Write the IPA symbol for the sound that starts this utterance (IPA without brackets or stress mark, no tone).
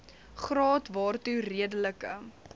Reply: χ